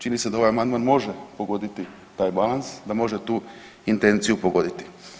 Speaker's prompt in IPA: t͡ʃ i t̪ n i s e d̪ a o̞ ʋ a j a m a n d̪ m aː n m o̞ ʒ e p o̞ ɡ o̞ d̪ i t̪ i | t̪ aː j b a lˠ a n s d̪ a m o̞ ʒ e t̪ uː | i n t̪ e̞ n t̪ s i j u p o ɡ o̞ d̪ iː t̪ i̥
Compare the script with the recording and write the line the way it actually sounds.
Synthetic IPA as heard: t͡ʃ i n i s e d̪ a o̞ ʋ a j a m a n d̪ m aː n m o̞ ʒ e p o̞ ɡ o̞ d̪ i t̪ i | t̪ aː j b a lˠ a n s d̪ a m o̞ ʒ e t̪ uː | i n t̪ e̞ n t̪ s i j u p o ɡ o̞ d̪ i t̪ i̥